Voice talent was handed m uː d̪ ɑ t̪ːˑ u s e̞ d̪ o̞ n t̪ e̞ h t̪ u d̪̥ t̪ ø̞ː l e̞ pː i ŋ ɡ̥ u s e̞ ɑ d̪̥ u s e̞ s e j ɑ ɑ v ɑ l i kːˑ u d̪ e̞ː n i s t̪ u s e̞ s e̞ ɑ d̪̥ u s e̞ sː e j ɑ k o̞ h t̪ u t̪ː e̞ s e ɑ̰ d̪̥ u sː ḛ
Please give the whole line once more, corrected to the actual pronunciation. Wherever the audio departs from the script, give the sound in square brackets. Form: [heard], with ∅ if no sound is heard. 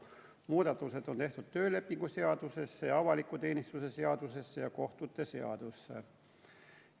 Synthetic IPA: m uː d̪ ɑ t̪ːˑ u s e̞ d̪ o̞ n t̪ e̞ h t̪ u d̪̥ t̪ ø̞ː l e̞ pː i ŋ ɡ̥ u s e̞ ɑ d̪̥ u s e̞ [sː] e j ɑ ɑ v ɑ l i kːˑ u [t̪] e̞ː n i s t̪ u s e̞ s e̞ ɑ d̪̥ u s e̞ sː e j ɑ k o̞ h t̪ u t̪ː e̞ s e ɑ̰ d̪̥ u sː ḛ